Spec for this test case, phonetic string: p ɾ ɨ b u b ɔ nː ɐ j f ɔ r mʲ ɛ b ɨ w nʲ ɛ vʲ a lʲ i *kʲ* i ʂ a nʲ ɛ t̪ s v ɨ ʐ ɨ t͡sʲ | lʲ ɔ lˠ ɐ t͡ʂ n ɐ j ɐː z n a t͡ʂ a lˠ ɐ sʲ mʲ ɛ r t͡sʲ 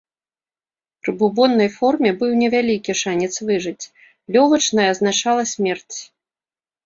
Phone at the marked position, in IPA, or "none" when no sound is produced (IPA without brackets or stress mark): kʲ